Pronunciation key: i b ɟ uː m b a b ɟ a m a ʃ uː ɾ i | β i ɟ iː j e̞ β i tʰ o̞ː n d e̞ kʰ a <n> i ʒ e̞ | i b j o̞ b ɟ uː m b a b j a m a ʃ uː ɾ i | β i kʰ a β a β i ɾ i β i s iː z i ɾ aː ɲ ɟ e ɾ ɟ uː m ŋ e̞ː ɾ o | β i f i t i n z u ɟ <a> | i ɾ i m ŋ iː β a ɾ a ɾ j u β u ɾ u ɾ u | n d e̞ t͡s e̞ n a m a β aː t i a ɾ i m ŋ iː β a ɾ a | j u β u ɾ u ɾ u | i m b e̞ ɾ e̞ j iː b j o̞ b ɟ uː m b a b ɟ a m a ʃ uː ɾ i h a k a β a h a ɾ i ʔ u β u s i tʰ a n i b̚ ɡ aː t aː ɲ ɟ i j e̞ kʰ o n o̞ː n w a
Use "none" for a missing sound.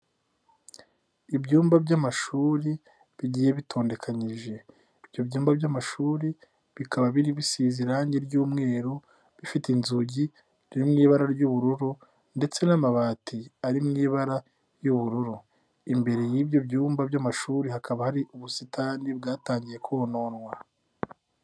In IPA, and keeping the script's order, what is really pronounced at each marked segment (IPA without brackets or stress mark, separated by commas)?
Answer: ɲ, i